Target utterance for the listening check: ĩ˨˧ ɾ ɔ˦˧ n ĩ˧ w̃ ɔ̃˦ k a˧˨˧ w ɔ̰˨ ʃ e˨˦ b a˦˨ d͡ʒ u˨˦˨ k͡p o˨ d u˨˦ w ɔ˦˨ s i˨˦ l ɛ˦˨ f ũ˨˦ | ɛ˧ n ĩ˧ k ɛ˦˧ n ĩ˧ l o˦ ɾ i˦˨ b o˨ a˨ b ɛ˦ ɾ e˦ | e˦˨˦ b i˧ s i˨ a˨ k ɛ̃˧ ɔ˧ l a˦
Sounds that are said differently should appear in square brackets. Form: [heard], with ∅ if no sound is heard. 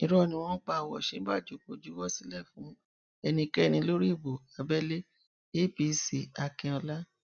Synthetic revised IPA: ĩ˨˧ ɾ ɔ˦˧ n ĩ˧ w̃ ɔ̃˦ [k͡p] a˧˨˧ w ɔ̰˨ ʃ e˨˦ b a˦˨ d͡ʒ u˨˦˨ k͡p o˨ [d͡ʒ] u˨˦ w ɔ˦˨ s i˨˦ l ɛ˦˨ f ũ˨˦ | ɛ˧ n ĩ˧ k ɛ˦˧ n ĩ˧ l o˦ ɾ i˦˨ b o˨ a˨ b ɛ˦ [l] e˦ | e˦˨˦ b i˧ s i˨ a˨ k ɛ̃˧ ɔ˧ l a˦

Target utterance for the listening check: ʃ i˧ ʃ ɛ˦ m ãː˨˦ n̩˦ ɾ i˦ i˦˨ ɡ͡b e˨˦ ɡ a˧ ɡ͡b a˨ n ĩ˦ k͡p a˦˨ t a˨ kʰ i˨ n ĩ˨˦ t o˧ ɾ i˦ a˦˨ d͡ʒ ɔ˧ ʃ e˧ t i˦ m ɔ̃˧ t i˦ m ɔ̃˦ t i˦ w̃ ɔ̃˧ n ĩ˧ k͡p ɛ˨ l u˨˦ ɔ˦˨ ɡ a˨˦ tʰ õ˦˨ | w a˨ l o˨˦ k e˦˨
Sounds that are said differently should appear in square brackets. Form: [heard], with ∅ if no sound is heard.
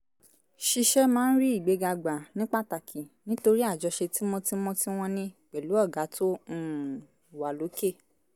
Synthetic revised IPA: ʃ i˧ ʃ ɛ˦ m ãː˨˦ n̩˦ ɾ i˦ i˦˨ ɡ͡b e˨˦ ɡ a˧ ɡ͡b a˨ n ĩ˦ k͡p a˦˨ t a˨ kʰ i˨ n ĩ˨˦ t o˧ ɾ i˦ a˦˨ d͡ʒ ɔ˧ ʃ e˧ t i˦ m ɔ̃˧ t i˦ m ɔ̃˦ t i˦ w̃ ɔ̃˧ n ĩ˧ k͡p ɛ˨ l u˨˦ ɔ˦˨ ɡ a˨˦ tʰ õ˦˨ | w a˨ l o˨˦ k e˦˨

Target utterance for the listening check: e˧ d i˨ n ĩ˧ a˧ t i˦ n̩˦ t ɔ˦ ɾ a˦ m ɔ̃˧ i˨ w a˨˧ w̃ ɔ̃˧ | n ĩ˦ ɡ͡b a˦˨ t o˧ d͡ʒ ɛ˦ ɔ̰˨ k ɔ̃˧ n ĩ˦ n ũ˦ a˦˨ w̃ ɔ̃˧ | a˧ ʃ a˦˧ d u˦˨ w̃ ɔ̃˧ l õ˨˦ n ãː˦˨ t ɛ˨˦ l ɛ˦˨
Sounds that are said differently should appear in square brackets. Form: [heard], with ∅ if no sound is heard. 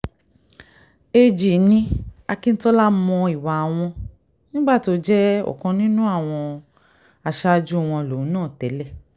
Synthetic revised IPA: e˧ [d͡ʒ] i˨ n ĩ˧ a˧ [k] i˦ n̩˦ t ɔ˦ [l] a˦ m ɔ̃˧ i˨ w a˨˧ w̃ ɔ̃˧ | n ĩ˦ ɡ͡b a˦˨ t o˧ d͡ʒ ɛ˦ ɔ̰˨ k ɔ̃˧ n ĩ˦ n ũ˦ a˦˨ w̃ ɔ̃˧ | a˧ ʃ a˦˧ [d͡ʒ] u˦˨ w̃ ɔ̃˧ l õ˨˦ n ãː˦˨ t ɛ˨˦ l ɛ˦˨

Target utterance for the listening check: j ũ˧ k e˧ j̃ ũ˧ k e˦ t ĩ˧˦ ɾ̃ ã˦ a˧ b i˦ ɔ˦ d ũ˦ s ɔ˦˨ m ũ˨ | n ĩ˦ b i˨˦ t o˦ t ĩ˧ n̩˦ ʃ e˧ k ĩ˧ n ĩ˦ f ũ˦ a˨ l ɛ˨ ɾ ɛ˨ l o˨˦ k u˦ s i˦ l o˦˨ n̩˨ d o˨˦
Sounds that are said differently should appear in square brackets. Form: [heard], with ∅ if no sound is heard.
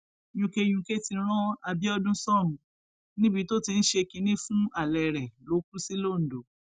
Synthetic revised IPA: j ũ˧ k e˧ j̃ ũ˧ k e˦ t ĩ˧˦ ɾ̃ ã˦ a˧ b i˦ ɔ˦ d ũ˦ s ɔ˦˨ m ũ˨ | n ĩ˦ b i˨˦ t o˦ t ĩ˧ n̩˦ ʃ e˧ k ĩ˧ n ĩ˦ f ũ˦ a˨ l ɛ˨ ɾ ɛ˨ l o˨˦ k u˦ s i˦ l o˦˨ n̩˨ d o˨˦

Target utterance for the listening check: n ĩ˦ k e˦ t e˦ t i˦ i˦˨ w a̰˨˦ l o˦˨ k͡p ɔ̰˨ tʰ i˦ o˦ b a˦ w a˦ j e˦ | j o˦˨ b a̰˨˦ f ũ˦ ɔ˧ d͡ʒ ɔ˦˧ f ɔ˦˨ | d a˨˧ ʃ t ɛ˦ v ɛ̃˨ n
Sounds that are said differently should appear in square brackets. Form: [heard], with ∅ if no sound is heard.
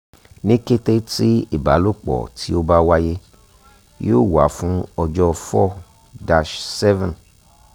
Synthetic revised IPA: n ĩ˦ k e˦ t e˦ t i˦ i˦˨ [b] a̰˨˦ l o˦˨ k͡p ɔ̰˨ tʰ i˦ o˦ b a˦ w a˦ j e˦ | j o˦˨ [w] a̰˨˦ f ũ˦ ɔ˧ d͡ʒ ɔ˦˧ f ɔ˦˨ | d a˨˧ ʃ [s] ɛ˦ v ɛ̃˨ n

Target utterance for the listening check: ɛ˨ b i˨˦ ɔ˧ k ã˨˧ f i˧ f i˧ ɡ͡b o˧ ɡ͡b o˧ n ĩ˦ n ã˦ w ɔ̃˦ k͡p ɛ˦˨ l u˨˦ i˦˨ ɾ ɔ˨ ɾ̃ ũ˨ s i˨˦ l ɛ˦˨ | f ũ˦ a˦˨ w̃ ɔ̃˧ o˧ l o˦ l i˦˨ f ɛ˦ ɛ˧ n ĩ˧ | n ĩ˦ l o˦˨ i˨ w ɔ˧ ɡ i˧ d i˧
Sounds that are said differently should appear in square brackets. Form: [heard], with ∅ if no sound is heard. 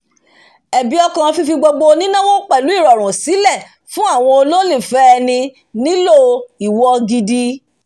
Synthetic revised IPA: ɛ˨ b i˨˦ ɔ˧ k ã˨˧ f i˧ f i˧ ɡ͡b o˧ ɡ͡b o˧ n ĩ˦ n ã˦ w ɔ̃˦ k͡p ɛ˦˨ l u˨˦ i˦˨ ɾ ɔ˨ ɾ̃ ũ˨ s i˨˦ l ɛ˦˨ | f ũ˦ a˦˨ w̃ ɔ̃˧ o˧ l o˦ l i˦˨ f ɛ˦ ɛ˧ n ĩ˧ | n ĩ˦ l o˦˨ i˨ w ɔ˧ ɡ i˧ d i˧

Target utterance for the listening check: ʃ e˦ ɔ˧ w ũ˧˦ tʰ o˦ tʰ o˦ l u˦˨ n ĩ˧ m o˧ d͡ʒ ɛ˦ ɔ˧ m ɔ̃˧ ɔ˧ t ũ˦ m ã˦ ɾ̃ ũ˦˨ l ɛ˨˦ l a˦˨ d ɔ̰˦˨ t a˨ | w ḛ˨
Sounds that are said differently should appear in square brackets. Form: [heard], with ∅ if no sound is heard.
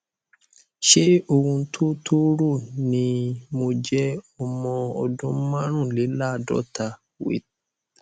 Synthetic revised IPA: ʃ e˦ [o˧] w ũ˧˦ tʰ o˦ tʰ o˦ [ɾ] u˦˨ n ĩ˧ m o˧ d͡ʒ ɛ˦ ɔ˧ m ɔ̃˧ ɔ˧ [d] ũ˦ m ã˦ ɾ̃ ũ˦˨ l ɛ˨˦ l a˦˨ d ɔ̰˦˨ t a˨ | w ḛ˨

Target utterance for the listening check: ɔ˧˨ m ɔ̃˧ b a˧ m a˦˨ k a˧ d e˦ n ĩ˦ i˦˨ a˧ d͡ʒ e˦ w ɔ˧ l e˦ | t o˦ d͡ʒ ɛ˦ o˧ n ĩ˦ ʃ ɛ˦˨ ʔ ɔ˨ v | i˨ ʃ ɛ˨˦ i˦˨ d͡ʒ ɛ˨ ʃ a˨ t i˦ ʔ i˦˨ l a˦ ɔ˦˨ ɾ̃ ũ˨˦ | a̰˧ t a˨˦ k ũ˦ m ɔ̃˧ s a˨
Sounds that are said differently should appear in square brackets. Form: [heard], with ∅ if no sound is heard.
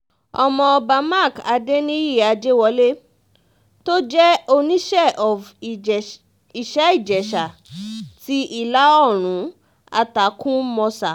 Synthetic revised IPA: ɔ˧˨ m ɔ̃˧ b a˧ m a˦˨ k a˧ d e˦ n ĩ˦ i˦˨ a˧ d͡ʒ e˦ w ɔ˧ l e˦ | t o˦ d͡ʒ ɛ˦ o˧ n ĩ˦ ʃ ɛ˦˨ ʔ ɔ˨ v | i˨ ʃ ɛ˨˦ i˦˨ d͡ʒ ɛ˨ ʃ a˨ t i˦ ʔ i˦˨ l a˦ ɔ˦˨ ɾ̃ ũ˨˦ | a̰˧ t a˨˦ k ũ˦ m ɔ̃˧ s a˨

